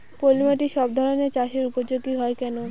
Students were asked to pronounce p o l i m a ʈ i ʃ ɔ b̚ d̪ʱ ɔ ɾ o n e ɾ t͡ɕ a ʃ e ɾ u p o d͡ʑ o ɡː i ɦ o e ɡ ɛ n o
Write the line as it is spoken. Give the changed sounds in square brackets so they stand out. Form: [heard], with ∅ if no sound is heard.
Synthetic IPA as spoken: p o l i m a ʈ i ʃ ɔ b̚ d̪ʱ ɔ ɾ o n e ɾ t͡ɕ a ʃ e ɾ u p o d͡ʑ o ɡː i ɦ [ɔ] e [k] ɛ n o